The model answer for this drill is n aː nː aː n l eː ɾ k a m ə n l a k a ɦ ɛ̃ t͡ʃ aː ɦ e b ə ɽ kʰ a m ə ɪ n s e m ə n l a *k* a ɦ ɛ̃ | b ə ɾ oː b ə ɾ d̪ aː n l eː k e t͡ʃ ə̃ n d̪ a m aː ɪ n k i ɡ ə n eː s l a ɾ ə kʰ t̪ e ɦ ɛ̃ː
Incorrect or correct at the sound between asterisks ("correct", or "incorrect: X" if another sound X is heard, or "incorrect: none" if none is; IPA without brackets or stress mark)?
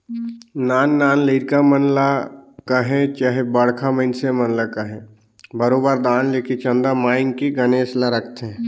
correct